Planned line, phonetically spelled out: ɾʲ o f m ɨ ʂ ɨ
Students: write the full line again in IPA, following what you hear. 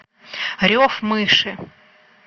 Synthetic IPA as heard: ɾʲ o f m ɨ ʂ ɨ